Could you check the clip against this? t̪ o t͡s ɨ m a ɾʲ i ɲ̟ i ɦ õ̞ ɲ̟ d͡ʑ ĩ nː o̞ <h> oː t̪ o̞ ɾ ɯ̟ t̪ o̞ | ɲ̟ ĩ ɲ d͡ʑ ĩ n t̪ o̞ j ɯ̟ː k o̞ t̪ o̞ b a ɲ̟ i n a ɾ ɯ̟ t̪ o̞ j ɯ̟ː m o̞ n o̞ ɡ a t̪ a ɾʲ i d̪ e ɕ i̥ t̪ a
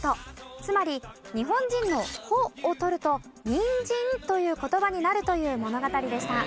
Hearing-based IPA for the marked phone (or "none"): h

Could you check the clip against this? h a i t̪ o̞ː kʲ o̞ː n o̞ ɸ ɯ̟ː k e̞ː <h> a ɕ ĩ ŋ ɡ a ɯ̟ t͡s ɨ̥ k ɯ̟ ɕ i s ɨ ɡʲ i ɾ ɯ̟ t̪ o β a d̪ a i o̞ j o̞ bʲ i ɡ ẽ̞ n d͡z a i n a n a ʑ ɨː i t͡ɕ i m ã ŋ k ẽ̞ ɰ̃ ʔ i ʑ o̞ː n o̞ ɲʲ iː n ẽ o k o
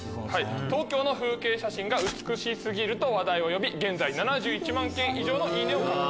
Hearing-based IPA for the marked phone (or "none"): ɕ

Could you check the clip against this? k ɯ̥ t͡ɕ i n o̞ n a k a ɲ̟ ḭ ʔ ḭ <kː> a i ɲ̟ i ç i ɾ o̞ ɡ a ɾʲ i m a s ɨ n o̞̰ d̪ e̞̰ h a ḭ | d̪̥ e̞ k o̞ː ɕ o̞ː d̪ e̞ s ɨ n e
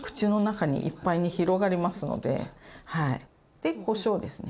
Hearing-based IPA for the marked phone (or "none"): pː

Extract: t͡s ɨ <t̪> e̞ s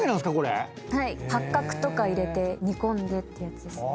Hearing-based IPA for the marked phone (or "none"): d̪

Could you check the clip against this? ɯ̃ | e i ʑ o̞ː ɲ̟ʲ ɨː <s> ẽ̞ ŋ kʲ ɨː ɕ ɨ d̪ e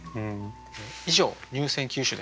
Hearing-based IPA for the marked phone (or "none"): s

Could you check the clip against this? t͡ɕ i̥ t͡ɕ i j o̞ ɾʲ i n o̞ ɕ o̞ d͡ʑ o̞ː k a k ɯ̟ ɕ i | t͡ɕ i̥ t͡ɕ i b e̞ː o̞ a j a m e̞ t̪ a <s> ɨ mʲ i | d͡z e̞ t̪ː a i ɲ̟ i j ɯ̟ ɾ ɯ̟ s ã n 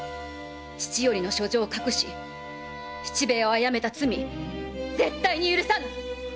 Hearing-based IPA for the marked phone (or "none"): t͡s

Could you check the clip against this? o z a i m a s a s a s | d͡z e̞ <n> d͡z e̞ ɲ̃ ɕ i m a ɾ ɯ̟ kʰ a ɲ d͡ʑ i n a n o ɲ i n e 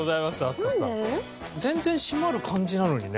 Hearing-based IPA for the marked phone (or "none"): n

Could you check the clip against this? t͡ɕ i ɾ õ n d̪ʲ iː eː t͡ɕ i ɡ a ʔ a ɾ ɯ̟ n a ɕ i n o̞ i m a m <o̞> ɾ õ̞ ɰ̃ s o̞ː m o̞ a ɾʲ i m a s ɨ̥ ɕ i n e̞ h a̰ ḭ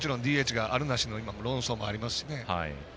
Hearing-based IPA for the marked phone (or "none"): o̞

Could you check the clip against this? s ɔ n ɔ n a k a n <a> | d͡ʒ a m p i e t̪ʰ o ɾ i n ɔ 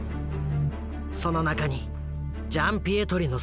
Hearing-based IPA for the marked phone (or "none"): i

